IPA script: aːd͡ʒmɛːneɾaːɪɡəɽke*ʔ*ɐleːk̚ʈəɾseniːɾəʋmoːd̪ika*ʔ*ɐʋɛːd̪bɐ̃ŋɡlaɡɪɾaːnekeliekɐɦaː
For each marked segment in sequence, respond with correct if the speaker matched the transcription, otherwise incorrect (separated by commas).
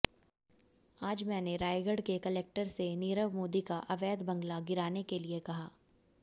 incorrect, correct